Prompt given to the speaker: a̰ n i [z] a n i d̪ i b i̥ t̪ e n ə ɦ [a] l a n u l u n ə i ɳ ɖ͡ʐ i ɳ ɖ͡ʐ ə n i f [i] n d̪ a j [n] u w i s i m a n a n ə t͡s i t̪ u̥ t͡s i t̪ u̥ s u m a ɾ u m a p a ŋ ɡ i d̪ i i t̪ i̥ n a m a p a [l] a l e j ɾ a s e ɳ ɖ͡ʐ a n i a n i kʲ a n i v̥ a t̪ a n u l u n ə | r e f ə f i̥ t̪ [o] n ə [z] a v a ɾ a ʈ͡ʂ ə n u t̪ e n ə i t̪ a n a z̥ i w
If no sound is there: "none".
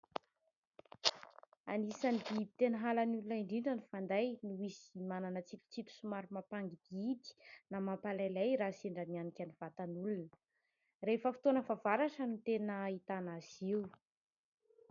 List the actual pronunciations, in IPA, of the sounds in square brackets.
s, a, a, n, l, o, v

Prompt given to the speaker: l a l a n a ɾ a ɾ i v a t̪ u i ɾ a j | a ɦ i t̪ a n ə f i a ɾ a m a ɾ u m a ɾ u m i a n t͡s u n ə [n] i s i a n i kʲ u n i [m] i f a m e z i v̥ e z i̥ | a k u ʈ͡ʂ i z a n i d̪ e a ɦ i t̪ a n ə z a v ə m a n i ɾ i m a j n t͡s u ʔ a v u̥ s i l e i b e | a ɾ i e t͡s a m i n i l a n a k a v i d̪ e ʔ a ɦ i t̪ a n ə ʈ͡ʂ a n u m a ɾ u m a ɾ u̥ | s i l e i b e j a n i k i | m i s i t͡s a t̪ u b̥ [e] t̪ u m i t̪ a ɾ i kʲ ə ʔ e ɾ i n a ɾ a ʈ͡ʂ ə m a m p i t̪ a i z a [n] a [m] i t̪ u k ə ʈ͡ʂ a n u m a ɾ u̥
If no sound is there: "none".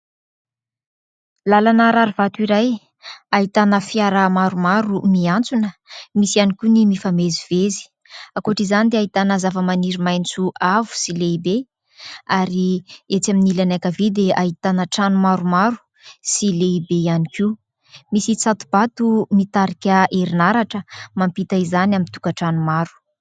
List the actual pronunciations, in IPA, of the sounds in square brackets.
m, m, a, n, m

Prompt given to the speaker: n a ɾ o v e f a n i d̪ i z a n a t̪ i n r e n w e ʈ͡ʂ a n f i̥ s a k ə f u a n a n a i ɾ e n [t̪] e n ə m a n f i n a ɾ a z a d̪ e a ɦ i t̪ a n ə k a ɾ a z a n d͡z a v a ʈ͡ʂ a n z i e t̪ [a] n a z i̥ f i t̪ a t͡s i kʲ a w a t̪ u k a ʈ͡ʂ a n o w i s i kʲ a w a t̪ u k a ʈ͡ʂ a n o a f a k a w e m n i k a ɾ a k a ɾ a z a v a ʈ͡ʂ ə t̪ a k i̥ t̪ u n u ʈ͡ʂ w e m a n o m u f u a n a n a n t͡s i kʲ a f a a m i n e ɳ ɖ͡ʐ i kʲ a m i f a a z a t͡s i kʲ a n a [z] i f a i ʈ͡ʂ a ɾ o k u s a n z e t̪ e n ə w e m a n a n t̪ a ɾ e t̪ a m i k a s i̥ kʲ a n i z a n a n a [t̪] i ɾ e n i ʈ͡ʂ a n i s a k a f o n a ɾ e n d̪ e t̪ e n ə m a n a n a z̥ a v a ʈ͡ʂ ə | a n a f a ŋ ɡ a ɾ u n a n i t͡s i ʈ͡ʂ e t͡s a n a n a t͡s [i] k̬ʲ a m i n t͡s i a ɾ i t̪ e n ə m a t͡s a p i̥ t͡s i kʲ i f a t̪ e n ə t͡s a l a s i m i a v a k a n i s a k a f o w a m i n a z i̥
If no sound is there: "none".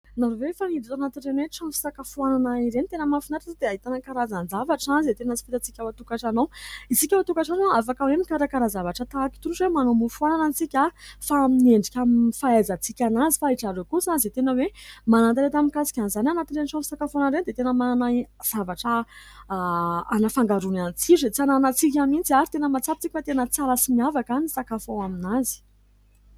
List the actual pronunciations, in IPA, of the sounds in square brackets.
t̪, e, z, t̪, i

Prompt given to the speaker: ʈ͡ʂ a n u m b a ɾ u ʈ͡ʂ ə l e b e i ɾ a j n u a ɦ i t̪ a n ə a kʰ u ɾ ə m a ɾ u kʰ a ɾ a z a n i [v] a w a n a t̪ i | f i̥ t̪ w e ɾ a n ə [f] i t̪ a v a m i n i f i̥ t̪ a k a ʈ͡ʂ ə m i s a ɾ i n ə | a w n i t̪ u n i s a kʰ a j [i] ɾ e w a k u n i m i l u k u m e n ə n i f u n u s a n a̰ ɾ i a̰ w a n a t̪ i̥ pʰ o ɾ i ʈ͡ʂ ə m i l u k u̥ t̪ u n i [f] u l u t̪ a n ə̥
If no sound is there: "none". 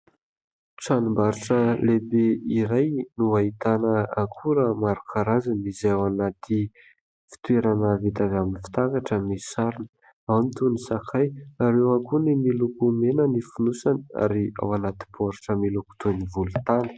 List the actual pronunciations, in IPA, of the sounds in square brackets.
z, v, a, v

